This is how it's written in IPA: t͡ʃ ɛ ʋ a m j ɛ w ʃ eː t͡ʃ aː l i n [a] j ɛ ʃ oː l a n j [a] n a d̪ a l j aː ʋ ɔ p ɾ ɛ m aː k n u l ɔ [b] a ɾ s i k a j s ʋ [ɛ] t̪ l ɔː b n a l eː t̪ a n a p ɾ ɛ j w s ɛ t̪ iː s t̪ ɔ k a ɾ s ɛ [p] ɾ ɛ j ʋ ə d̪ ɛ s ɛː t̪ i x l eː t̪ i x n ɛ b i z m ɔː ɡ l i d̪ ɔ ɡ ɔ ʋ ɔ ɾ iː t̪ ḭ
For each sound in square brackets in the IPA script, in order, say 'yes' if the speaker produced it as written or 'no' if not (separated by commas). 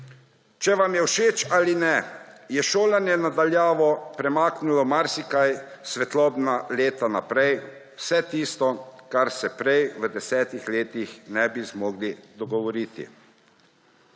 no, no, no, yes, yes